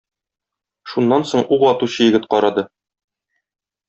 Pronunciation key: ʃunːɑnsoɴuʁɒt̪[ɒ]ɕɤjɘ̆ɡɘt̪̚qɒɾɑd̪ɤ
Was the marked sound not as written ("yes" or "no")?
yes